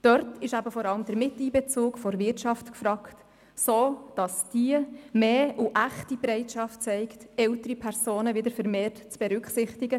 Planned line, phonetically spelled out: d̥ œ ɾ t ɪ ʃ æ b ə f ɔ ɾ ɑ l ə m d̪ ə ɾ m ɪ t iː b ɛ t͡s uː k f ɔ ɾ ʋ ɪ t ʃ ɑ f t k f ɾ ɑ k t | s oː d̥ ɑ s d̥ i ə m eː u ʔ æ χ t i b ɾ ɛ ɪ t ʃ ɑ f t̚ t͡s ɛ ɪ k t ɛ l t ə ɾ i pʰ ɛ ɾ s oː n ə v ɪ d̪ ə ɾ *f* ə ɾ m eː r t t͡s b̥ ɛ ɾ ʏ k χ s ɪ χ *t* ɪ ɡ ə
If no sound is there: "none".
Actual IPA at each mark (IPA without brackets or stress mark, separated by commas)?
f, t